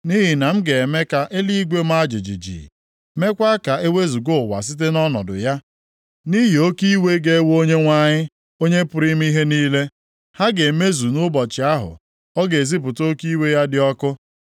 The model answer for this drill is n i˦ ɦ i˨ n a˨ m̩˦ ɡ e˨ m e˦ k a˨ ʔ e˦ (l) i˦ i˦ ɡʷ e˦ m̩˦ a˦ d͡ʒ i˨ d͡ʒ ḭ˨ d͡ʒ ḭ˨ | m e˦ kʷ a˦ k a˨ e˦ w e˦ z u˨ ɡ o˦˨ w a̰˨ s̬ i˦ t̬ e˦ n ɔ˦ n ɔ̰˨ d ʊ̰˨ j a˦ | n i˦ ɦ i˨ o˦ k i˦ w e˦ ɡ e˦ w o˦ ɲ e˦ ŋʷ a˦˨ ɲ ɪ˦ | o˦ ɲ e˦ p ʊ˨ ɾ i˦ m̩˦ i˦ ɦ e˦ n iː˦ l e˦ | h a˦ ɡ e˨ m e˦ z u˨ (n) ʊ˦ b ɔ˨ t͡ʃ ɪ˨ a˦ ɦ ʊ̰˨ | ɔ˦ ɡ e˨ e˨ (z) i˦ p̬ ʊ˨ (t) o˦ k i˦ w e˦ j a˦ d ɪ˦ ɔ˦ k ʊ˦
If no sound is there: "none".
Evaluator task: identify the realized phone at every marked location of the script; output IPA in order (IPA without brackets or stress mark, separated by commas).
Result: l, n, z, t